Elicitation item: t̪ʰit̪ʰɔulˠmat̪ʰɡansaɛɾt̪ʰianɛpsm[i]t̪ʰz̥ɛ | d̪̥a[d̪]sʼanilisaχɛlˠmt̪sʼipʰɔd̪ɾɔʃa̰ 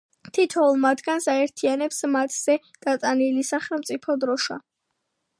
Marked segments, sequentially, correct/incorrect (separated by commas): incorrect, incorrect